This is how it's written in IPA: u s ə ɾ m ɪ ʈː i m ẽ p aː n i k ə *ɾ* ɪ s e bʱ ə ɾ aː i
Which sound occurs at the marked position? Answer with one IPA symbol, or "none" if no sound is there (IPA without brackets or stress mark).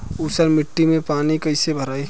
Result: none